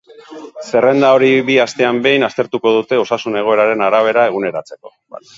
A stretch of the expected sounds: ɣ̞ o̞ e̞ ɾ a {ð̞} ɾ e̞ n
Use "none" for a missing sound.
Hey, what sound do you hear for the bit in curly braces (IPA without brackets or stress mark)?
none